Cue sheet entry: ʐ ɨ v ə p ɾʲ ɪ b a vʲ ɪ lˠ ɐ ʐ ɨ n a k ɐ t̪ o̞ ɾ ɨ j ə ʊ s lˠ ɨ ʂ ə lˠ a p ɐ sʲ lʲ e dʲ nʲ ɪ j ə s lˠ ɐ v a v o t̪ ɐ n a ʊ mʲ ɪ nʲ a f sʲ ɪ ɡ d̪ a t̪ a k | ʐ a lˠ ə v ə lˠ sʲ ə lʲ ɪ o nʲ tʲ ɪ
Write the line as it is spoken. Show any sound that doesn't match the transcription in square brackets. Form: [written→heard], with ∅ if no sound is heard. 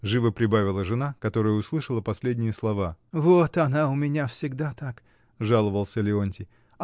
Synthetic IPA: ʐ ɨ v ə p ɾʲ ɪ b a vʲ ɪ lˠ [ɐ→ə] ʐ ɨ n a k ɐ t̪ o̞ ɾ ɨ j ə ʊ s lˠ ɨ ʂ ə lˠ [a→ə] p ɐ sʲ lʲ e dʲ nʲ ɪ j ə s lˠ ɐ v a v o t̪ ɐ n a ʊ mʲ ɪ nʲ a f sʲ ɪ ɡ d̪ a t̪ a k | ʐ a lˠ ə v ə lˠ sʲ ə lʲ ɪ o nʲ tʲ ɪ